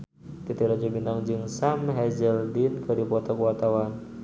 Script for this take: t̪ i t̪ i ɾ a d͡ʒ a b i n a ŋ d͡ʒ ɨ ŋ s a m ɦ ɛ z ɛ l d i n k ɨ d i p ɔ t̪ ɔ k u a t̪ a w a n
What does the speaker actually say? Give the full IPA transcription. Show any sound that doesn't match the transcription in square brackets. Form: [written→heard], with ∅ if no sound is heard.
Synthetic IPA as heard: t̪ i t̪ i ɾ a d͡ʒ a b i n a ŋ d͡ʒ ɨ ŋ s a m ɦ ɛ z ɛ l d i n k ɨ d i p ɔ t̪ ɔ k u a t̪ a w a n